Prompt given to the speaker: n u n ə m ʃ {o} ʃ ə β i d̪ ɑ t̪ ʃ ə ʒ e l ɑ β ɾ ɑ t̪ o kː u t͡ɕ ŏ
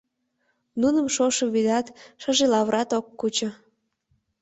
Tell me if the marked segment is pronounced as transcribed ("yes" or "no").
yes